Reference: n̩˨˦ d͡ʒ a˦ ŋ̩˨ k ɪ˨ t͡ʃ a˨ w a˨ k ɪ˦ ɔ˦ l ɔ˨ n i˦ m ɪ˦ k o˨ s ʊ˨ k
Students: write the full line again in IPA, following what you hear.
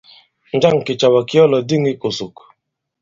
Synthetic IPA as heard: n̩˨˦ d͡ʒ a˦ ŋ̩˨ k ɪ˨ t͡ʃ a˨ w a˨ k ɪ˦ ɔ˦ l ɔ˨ d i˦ ŋ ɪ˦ k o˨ s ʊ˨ k